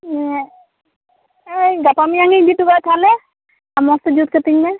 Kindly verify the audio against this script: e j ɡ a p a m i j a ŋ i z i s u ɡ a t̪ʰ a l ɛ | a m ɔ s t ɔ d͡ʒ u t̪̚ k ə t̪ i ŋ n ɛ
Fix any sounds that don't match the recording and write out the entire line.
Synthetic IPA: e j ɡ a p a m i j a ŋ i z i t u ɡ a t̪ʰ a l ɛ | a m ɔ s t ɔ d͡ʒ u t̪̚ k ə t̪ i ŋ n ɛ